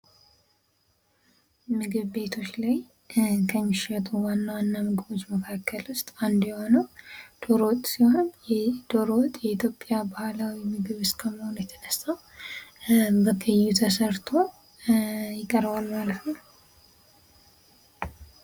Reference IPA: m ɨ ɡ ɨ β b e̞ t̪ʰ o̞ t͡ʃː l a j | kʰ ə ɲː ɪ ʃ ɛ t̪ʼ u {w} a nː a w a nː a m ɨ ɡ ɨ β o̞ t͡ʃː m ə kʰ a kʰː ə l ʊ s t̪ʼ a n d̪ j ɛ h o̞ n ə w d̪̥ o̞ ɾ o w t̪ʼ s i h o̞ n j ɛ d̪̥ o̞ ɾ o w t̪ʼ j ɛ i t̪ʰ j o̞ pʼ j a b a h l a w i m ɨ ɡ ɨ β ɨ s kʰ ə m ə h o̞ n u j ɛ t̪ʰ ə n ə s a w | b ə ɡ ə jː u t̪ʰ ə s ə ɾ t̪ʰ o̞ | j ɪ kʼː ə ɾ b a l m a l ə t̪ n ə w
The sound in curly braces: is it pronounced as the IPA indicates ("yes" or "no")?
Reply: yes